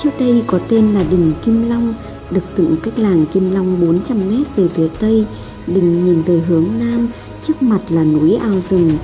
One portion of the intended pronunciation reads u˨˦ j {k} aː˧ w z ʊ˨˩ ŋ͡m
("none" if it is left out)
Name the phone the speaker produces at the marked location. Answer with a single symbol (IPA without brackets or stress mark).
ʔ